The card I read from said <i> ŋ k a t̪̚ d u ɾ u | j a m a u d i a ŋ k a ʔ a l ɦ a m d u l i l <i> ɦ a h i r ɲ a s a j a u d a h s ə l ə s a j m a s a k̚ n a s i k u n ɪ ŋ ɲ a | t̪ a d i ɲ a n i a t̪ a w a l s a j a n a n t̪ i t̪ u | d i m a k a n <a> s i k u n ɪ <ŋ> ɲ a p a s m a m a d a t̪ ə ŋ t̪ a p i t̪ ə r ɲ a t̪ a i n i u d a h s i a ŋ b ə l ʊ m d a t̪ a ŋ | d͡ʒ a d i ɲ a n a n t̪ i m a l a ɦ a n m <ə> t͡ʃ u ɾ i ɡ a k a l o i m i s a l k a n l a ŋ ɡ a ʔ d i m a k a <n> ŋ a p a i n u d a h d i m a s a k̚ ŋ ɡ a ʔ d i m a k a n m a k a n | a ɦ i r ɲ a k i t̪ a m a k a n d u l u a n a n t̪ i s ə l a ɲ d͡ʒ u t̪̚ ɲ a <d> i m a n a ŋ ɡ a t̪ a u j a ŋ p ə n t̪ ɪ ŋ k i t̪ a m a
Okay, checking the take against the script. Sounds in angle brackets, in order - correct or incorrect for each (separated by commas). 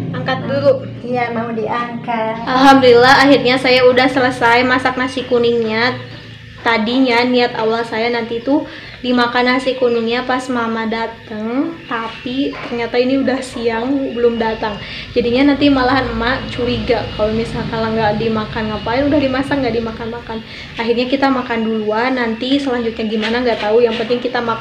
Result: incorrect, incorrect, correct, correct, incorrect, correct, incorrect